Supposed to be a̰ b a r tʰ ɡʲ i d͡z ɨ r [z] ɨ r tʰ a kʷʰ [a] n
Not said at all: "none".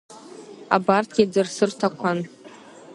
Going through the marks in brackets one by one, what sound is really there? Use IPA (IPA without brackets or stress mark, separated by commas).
s, a